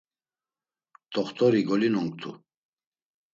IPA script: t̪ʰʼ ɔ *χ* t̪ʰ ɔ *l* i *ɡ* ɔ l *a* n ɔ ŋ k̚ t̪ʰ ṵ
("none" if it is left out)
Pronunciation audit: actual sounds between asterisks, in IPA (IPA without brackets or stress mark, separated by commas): χ, ɾ, ɡ, i